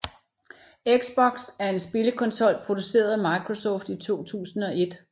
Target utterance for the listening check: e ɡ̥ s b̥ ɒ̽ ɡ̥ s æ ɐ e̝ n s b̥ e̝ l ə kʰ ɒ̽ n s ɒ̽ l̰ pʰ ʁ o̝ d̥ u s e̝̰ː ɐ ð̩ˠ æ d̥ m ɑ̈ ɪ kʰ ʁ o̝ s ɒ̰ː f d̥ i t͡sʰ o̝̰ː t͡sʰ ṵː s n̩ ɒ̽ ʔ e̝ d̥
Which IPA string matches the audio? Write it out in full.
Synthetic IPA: e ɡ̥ s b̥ ɒ̽ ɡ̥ s æ ɐ e̝ n s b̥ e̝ l ə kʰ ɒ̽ n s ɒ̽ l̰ pʰ ʁ o̝ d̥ u s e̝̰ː ɐ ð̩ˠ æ m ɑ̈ ɪ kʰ ʁ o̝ s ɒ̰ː f d̥ i t͡sʰ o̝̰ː t͡sʰ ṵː s n̩ ɒ̽ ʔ e̝ d̥